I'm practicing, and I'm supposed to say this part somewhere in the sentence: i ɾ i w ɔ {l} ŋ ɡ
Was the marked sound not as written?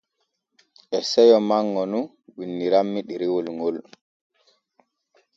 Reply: no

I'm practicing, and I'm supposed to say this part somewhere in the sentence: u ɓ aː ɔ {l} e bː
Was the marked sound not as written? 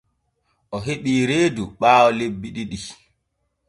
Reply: no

